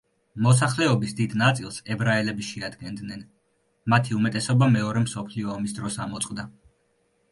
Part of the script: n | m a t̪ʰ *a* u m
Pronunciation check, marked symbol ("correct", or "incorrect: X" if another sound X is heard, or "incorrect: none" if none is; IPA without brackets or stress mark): incorrect: i